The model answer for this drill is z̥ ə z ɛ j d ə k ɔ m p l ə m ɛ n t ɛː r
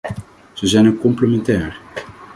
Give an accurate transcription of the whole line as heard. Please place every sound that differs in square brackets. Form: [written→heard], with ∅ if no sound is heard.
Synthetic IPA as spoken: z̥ ə z ɛ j [d→n] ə k ɔ m p l ə m ɛ n t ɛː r